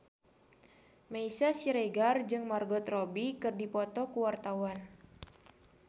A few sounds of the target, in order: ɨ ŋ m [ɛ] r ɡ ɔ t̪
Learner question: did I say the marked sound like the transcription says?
no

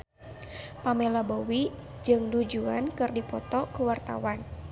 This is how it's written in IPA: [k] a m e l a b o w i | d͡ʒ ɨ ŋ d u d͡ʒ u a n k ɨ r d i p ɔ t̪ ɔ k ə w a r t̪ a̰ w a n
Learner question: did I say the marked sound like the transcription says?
no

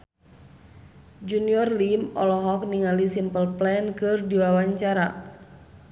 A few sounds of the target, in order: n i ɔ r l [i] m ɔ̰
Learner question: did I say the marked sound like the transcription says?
yes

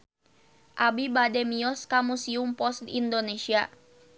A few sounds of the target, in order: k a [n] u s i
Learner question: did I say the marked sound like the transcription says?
no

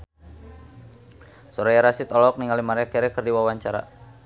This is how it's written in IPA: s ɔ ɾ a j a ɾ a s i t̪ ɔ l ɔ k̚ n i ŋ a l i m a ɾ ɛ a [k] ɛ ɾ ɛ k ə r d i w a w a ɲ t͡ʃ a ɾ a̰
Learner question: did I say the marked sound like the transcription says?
yes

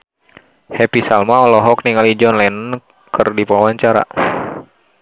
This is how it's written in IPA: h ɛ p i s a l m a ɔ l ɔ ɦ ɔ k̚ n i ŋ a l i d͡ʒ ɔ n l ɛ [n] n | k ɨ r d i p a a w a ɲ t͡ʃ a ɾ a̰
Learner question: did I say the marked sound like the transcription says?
yes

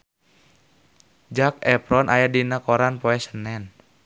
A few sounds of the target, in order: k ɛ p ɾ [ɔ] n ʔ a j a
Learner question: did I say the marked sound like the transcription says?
yes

